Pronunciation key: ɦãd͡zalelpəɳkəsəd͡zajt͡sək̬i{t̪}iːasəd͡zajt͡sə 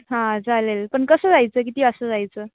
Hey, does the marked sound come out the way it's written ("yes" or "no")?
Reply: yes